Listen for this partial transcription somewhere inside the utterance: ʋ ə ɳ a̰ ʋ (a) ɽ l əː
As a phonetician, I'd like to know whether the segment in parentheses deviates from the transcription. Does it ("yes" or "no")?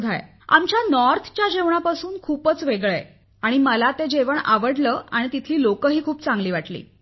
yes